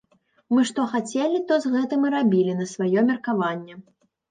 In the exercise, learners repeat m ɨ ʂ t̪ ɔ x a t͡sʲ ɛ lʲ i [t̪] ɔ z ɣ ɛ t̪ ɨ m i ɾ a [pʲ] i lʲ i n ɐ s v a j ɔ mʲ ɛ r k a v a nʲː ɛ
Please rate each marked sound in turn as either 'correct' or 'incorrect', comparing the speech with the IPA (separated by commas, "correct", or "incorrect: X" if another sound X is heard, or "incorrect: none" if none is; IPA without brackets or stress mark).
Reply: correct, incorrect: bʲ